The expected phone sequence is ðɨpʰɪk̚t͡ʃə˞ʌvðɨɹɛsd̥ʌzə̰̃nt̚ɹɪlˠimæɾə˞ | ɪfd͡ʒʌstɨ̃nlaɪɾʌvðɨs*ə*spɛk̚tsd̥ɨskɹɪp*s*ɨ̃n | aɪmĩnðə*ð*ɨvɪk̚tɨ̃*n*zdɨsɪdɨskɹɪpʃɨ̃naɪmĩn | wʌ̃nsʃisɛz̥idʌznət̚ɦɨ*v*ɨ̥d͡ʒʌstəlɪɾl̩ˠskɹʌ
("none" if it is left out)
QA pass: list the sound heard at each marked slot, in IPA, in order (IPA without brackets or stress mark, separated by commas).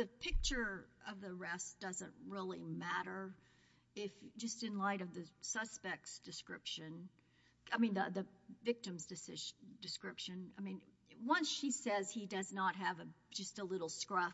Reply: ʌ, ʃ, ð, m, v